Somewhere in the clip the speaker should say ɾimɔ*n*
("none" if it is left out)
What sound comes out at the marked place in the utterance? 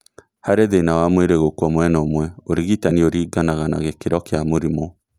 none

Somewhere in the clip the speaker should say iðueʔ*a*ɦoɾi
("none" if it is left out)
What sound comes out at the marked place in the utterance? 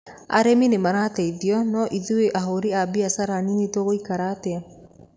a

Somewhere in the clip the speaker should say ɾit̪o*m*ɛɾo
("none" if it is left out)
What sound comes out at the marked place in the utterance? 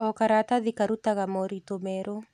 m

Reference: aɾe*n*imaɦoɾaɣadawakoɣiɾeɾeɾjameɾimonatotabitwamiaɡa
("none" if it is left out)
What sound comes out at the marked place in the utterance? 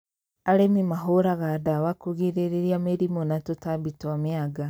m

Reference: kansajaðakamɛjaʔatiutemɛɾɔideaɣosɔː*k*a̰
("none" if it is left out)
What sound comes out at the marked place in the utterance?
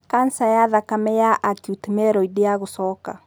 k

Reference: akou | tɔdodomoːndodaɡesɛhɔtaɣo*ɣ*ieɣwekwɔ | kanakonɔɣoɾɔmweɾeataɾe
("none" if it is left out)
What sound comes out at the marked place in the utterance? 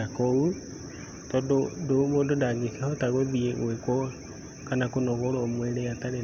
ð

